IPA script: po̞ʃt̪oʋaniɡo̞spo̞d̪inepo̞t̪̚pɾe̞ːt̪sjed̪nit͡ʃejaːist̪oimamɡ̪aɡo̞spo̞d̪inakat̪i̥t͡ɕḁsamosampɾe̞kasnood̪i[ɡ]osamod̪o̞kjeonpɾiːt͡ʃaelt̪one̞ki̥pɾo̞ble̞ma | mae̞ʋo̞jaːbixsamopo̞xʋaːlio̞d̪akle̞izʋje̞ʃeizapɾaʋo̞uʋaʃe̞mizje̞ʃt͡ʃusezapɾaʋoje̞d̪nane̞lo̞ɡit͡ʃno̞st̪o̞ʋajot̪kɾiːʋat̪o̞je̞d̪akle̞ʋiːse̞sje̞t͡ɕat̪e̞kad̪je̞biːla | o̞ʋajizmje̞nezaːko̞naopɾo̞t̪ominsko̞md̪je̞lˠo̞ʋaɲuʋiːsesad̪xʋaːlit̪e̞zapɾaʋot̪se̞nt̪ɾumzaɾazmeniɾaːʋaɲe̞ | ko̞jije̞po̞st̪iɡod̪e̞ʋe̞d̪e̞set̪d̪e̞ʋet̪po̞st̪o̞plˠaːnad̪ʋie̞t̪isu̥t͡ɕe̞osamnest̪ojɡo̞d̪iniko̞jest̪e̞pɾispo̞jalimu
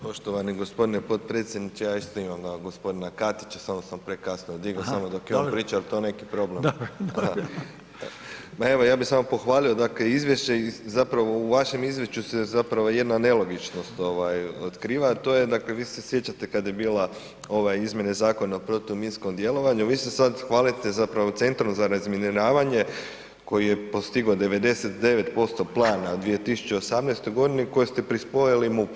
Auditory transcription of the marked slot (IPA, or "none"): ɡ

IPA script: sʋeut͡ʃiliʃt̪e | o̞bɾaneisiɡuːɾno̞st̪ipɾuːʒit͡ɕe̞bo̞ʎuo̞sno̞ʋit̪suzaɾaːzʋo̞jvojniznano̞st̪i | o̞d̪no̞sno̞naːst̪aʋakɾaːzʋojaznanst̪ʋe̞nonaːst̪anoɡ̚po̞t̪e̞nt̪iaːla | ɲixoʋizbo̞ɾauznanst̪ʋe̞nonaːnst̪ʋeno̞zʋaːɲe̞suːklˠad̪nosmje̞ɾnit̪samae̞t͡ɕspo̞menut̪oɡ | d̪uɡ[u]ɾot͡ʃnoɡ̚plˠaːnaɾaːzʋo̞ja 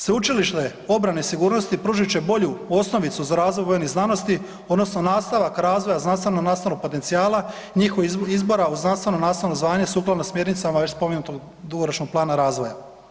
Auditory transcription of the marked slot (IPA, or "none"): o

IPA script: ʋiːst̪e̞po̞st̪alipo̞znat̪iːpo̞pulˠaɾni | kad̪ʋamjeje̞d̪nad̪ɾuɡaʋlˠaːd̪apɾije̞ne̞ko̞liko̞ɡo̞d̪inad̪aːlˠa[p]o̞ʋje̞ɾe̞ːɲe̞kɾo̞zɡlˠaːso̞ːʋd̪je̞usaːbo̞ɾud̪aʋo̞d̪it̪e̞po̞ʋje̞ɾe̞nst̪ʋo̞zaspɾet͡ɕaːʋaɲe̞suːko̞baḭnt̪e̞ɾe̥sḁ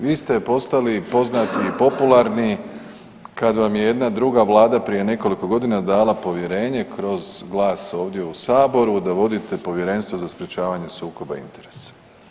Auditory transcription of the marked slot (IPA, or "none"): p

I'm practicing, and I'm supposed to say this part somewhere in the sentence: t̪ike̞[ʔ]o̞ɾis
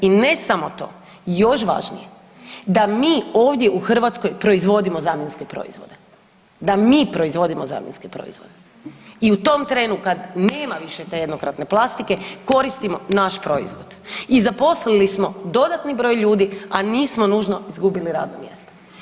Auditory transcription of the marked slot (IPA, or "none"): k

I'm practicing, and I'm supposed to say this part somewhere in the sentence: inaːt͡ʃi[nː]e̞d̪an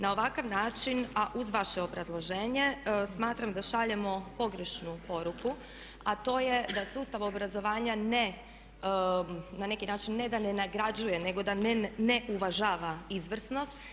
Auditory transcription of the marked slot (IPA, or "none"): nː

